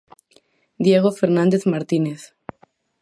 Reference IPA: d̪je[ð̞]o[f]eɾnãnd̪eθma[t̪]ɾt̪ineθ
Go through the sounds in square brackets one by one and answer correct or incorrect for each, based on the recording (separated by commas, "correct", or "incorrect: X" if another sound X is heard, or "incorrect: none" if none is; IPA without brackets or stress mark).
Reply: incorrect: ɣ̞, correct, incorrect: none